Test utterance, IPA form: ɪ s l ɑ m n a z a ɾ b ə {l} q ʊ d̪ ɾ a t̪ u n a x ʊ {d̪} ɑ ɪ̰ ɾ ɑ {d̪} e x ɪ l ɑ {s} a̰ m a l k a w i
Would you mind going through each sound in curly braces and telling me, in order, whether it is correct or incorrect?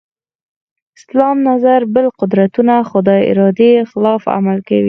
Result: correct, correct, correct, incorrect

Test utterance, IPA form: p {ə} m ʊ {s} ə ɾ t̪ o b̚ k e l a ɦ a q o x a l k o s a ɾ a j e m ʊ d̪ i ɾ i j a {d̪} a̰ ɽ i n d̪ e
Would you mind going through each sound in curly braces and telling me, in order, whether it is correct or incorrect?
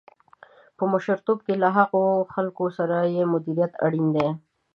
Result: correct, incorrect, incorrect

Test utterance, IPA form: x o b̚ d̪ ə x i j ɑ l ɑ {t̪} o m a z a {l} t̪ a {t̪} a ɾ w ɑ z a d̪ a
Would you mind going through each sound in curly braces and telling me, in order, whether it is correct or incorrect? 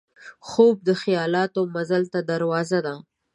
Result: correct, correct, incorrect

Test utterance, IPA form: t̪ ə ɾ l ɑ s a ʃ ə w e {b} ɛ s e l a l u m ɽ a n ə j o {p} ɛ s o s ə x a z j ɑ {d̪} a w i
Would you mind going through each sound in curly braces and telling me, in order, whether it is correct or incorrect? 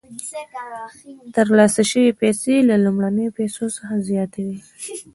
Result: incorrect, correct, incorrect

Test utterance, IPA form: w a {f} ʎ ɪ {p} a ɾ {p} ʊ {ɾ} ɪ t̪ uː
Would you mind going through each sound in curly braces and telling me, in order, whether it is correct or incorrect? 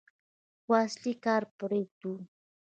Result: incorrect, incorrect, correct, correct

